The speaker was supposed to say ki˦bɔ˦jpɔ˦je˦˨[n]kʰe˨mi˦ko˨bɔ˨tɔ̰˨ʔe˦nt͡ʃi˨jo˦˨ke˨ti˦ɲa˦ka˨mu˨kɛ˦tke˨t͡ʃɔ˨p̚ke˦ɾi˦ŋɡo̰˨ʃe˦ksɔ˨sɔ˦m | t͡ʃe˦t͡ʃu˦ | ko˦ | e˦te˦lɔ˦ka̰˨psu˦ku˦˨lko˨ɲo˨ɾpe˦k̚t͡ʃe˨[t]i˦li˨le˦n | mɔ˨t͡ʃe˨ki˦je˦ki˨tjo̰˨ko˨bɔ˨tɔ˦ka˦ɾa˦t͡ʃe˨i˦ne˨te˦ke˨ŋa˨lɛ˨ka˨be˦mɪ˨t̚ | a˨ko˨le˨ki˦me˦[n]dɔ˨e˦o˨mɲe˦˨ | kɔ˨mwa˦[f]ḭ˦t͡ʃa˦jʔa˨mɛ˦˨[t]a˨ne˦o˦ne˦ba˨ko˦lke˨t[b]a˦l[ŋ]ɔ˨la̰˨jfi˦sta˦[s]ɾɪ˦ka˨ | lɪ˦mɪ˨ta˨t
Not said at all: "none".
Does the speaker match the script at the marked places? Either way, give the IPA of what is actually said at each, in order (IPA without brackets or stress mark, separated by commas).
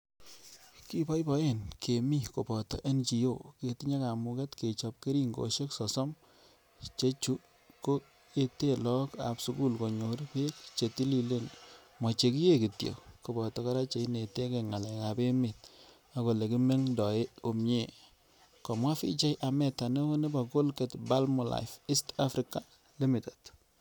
n, t, ŋ, f, t, b, m, f